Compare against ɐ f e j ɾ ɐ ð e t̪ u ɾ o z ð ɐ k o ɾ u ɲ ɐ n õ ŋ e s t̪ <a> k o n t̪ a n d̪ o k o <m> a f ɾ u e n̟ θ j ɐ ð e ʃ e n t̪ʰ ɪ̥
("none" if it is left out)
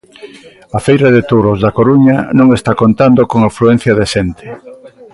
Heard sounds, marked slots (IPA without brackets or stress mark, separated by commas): a, ŋ